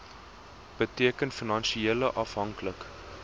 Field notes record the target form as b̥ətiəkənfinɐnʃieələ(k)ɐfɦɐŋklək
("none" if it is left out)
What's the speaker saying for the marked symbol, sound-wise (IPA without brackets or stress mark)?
ʔ